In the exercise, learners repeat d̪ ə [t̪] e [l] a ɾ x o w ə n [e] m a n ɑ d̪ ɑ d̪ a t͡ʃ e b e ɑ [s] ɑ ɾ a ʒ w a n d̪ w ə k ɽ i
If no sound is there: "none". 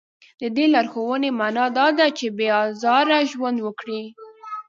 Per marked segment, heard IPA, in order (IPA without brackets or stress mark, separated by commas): d̪, l, e, z